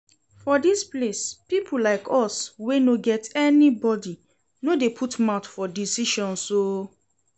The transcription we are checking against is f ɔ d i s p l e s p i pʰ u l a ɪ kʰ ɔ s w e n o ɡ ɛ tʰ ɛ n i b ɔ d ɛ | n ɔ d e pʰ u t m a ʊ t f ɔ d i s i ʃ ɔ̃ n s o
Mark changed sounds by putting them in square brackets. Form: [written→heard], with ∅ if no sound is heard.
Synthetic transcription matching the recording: f ɔ d i s p l e s p i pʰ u l a ɪ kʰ ɔ s w e n o ɡ ɛ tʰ ɛ n i b ɔ d [ɛ→i] | n [ɔ→o] d e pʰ u t m a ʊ t f ɔ d i s i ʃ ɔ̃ n s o